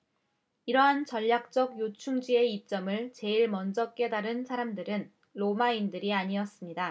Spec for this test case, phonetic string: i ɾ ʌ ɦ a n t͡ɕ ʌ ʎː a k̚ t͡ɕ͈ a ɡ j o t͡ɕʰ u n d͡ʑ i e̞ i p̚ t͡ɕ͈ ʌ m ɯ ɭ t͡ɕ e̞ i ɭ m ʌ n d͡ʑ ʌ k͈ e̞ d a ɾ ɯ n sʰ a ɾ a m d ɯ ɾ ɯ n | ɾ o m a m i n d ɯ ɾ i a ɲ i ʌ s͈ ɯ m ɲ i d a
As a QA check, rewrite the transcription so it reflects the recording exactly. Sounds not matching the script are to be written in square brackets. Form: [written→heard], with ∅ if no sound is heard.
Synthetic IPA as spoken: i ɾ ʌ ɦ a n t͡ɕ ʌ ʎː a k̚ t͡ɕ͈ [a→ʌ] ɡ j o t͡ɕʰ u [n→ŋ] d͡ʑ i e̞ i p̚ t͡ɕ͈ ʌ m ɯ ɭ t͡ɕ e̞ i ɭ m ʌ n d͡ʑ ʌ k͈ e̞ d a ɾ ɯ n sʰ a ɾ a m d ɯ ɾ ɯ n | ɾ o m a [m→∅] i n d ɯ ɾ i a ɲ i ʌ s͈ ɯ m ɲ i d a